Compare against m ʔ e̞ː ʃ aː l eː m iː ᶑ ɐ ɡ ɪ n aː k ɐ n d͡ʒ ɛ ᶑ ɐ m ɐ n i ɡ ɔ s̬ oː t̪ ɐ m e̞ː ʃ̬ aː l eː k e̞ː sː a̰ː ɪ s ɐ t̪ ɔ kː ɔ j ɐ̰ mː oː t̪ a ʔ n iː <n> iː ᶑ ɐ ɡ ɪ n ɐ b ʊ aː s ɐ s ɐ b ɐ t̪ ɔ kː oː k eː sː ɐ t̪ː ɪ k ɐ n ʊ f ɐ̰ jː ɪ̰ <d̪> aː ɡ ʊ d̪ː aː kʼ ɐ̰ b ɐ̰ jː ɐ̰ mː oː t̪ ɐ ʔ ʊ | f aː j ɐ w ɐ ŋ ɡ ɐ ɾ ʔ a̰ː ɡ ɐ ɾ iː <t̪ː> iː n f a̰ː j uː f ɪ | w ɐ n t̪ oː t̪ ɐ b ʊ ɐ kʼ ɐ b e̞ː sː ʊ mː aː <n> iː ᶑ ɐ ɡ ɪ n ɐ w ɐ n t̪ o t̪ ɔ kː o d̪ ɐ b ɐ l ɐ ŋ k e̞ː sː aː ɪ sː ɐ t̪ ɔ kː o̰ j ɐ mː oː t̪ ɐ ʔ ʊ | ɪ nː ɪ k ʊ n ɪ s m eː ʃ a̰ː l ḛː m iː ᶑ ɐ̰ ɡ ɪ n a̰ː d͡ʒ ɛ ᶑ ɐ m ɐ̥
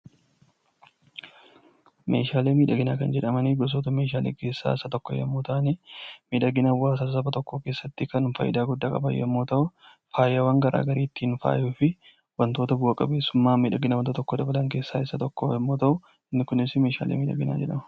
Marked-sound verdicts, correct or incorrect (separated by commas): incorrect, correct, correct, incorrect